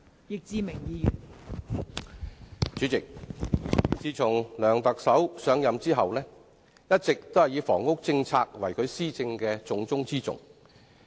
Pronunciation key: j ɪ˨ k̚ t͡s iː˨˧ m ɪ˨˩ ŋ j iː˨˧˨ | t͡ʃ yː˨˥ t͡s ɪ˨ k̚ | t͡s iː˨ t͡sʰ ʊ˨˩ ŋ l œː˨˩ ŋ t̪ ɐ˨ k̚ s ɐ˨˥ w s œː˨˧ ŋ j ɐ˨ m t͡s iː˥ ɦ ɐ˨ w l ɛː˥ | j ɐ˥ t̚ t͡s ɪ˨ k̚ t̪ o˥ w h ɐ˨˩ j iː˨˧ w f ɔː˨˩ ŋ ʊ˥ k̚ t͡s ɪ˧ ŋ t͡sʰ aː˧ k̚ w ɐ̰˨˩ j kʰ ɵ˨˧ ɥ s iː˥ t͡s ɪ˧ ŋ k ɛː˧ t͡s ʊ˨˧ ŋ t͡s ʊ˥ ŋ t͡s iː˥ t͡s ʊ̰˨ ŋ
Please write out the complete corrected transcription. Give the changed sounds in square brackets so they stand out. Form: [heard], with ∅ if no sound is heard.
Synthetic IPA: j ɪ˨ k̚ t͡s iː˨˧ m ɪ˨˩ ŋ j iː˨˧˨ | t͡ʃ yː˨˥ t͡s ɪ˨ k̚ | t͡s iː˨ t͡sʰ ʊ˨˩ ŋ l œː˨˩ ŋ t̪ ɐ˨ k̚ s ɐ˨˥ w s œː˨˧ ŋ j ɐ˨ m t͡s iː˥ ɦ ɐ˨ w l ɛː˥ | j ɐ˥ t̚ t͡s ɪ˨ k̚ t̪ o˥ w h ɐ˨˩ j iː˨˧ w f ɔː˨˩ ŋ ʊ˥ k̚ t͡s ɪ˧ ŋ t͡sʰ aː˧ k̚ w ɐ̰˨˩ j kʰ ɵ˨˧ ɥ s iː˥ t͡s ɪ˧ ŋ k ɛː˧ t͡s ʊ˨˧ ŋ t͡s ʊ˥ ŋ t͡s iː˥ t͡s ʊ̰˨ ŋ